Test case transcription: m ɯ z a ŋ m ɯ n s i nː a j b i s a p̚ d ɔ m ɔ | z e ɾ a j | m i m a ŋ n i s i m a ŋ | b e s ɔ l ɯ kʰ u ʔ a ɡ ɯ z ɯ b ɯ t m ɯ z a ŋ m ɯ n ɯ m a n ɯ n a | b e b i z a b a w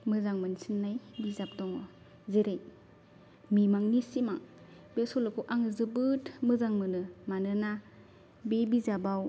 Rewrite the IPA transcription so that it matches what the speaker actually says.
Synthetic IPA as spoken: m ɯ z a ŋ m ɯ n s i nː a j b i z a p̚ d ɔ ŋ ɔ | z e ɾ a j | m i m a ŋ n i s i m a ŋ | b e s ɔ l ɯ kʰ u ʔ a ŋ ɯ z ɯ b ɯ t m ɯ z a ŋ m ɯ n ɯ m a n ɯ n a | b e b i z a b a w